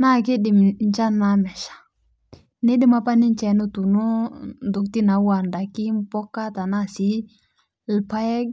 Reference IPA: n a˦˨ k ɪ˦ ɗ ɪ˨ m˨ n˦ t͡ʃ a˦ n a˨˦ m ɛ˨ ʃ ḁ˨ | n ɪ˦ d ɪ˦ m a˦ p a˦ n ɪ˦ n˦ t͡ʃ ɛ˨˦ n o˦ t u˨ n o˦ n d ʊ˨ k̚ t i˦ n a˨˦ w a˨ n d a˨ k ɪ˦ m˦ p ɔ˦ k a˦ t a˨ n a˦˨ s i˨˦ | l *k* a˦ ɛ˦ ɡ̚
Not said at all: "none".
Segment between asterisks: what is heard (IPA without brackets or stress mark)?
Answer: p